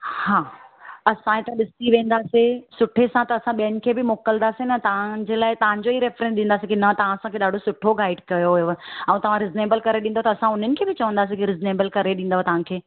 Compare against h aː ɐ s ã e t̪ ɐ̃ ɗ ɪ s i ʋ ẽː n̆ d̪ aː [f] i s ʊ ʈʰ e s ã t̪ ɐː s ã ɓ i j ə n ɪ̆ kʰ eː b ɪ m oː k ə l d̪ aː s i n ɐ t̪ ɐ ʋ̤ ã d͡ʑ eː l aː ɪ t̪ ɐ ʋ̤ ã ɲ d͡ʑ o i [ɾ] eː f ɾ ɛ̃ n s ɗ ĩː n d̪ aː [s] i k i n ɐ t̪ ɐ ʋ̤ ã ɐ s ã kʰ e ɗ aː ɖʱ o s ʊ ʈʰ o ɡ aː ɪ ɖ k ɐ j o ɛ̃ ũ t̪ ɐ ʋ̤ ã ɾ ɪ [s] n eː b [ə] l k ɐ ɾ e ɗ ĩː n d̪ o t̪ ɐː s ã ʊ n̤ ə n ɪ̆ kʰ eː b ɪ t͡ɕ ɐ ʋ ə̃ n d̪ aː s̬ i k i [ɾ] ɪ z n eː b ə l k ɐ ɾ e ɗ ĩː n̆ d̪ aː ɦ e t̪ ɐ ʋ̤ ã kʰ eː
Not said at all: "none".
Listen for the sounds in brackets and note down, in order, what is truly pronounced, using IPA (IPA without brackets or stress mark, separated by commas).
s, ɾ, s, z, ə, ɾ